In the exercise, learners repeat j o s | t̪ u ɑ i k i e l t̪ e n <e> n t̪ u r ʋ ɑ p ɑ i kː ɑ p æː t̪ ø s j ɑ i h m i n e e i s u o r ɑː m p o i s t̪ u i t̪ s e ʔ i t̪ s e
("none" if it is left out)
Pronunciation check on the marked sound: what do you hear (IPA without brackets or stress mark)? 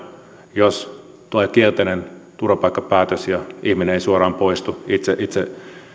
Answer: e